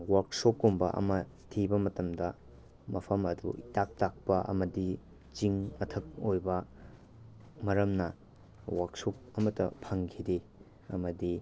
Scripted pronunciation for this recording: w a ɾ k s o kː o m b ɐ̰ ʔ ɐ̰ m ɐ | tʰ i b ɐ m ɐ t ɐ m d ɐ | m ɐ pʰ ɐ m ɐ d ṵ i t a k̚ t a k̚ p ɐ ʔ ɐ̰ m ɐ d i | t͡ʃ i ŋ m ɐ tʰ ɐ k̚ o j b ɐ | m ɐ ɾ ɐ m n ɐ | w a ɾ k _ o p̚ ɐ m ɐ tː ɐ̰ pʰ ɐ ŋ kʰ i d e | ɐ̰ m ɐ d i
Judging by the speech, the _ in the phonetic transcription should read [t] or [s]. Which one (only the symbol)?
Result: s